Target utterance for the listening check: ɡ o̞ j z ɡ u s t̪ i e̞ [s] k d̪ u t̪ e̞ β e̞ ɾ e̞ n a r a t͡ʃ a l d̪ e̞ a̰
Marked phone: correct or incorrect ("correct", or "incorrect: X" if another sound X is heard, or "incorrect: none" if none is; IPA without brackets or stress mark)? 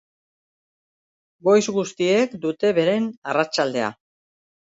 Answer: incorrect: none